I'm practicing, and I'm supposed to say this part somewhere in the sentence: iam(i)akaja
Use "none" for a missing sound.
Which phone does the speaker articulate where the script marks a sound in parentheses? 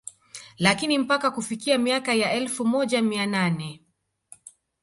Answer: i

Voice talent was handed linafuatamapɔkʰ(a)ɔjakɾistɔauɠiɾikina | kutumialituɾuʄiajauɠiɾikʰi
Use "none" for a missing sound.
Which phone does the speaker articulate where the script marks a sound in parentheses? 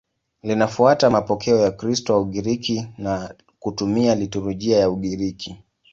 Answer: ɛ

